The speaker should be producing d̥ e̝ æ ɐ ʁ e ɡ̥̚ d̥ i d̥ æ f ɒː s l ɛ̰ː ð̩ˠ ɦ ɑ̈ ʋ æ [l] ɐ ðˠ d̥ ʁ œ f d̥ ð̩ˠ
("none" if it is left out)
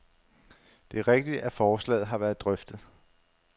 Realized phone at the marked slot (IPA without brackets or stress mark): none